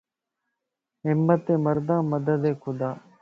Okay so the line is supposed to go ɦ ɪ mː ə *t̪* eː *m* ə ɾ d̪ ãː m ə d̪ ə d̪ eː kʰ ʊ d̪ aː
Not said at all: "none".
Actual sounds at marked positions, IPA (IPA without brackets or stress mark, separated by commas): t̪, m